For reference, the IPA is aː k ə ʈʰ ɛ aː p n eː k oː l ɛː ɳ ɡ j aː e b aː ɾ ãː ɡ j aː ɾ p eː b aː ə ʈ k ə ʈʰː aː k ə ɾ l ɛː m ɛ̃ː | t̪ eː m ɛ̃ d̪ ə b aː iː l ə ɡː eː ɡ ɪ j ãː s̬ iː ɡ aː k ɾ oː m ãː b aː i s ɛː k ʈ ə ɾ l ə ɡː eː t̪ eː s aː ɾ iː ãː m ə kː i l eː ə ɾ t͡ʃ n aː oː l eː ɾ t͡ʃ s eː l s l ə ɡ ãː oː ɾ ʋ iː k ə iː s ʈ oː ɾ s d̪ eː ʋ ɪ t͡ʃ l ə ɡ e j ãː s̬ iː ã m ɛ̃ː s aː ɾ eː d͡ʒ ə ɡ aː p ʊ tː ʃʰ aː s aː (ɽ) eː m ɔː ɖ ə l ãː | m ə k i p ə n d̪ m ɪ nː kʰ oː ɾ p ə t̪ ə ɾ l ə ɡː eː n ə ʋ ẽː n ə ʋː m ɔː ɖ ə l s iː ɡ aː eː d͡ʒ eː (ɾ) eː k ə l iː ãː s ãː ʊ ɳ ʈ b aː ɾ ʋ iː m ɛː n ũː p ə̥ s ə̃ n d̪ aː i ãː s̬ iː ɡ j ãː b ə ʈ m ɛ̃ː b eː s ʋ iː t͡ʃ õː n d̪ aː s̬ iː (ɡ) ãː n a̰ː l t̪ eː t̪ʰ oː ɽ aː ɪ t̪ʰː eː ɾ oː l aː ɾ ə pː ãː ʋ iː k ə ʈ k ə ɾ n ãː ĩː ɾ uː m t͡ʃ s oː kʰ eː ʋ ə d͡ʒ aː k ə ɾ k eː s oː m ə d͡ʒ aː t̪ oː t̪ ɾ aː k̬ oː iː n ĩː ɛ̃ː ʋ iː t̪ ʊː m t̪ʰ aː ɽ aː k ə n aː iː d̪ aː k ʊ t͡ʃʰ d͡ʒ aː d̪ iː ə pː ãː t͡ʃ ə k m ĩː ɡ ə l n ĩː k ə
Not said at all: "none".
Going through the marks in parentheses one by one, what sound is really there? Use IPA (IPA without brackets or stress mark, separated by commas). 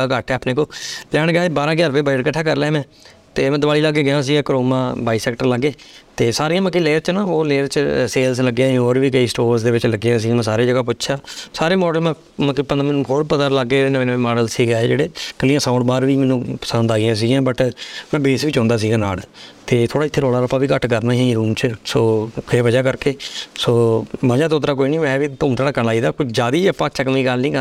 ɾ, ɽ, ɡ